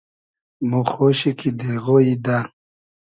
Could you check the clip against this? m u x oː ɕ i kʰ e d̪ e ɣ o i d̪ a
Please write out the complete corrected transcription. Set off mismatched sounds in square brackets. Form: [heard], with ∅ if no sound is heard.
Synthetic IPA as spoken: m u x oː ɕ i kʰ [i] d̪ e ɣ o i d̪ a

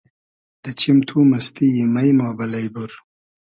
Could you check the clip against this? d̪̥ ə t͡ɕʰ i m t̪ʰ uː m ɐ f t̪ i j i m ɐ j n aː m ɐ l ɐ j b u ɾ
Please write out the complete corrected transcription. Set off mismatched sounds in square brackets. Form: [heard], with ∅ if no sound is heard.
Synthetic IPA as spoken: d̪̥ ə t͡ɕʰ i m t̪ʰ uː m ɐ [s] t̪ i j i m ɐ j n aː [b] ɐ l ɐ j b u ɾ

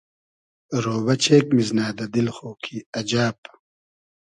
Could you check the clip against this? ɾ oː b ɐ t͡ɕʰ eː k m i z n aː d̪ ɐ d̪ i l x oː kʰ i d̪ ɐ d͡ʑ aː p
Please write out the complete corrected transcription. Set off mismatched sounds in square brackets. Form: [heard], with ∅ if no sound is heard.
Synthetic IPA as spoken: ɾ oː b ɐ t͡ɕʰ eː k m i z n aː d̪ ɐ d̪ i l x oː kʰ i [∅] ɐ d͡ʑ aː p

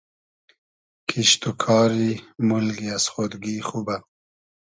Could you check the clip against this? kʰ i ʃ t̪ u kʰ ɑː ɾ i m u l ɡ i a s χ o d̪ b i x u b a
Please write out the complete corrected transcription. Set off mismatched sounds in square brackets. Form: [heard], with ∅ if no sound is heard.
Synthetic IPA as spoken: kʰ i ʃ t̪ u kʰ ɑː ɾ i m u l ɡ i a s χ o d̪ [ɡ] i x u b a

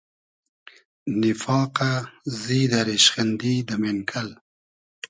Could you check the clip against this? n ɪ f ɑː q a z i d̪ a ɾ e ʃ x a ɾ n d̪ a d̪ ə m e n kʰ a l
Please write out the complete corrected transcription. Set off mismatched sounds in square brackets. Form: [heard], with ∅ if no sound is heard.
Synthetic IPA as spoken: n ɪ f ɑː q a z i d̪ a ɾ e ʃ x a [∅] n d̪ [i] d̪ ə m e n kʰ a l

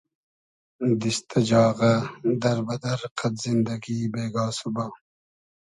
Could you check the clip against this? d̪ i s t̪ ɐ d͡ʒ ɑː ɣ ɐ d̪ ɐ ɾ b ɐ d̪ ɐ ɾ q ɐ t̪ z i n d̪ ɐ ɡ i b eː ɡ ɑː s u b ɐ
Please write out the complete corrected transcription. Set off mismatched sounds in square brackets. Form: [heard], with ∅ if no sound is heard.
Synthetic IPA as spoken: d̪ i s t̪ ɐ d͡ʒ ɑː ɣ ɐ d̪ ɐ ɾ b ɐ d̪ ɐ ɾ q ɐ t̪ z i n d̪ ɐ ɡ i b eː ɡ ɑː s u b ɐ

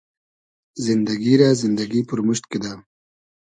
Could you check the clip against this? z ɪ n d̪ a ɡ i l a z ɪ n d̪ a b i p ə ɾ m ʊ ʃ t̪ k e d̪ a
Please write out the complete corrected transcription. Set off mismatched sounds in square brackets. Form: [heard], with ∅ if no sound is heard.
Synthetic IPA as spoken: z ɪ n d̪ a ɡ i [ɾ] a z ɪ n d̪ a [ɡ] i p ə ɾ m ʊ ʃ t̪ k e d̪ a

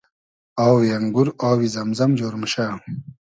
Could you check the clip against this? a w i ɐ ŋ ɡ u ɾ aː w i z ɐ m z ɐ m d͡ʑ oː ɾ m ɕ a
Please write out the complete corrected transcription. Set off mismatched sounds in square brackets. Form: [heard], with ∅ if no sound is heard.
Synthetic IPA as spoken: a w [j] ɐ ŋ ɡ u ɾ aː w i z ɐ m z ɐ m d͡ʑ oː ɾ m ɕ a

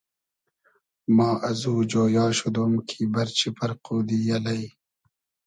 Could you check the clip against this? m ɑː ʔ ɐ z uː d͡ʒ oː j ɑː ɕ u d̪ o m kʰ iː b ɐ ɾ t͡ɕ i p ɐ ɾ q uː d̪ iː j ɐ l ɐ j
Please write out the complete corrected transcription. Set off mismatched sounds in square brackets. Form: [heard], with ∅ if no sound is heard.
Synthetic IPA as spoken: m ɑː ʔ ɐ z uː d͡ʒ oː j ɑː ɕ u d̪ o m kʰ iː b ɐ ɾ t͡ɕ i p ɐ ɾ q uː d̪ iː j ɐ l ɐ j

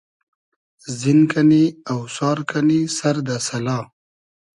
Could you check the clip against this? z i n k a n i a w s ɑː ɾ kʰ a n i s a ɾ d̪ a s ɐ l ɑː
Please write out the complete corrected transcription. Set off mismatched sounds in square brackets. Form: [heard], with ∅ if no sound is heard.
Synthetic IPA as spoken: z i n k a n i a w s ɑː ɾ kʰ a n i s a ɾ d̪ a s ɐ l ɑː

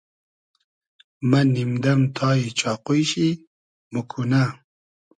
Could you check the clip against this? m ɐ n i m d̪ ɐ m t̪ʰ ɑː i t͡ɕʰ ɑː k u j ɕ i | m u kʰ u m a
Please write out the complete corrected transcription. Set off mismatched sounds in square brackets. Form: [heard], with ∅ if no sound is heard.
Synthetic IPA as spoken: m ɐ n i m d̪ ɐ m t̪ʰ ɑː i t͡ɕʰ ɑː [q] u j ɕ i | m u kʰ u [n] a

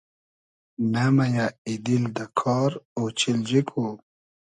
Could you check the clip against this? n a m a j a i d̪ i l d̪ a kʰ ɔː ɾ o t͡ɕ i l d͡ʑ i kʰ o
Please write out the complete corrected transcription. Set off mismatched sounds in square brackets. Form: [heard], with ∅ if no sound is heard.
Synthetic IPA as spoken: n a m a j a i d̪ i l d̪ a kʰ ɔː ɾ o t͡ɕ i l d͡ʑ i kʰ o

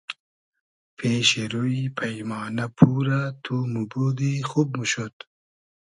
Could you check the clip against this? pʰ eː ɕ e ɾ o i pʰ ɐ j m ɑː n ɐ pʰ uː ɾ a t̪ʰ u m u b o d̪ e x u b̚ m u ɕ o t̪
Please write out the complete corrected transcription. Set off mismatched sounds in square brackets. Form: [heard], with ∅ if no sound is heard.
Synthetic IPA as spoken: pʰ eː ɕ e ɾ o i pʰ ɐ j m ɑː n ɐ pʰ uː ɾ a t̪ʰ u m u b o d̪ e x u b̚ m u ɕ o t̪

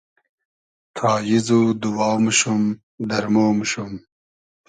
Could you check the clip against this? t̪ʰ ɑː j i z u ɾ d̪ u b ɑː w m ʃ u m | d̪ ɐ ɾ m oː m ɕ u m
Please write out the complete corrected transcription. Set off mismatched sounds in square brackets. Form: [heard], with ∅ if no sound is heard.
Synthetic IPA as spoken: t̪ʰ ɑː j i z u [∅] d̪ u [w] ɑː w m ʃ u m | d̪ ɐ ɾ m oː m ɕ u m

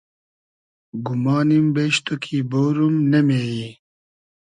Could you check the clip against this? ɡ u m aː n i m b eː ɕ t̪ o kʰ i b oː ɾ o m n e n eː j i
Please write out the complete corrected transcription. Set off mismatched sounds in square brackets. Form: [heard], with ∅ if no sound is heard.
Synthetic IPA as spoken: ɡ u m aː n i m b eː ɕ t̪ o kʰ i b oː ɾ [u] m n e [m] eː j i

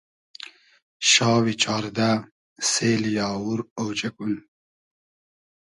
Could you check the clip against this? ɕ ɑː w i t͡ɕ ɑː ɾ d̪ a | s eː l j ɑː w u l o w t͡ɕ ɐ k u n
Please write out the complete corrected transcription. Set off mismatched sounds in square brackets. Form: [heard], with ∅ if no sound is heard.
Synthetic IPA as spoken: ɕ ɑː w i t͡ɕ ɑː ɾ d̪ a | s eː l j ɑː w u [ɾ] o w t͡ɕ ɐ k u n

